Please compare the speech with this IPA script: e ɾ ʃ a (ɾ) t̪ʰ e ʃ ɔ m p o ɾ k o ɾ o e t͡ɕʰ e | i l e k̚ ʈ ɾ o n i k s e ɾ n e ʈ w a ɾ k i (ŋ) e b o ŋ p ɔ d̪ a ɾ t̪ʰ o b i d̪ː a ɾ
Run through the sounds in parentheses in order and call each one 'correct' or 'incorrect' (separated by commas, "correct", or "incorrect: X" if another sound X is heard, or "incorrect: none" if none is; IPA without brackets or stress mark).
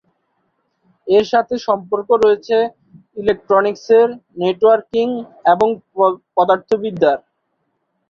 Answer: incorrect: none, correct